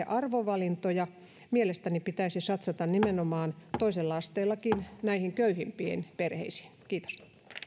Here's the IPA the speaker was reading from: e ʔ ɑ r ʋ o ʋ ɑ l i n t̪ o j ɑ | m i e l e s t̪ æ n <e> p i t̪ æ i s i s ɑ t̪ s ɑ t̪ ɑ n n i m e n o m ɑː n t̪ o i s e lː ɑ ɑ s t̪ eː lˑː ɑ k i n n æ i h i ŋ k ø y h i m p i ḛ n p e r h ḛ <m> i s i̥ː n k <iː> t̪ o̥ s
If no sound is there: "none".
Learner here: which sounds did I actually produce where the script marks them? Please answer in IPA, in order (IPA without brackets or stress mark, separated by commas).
i, none, iː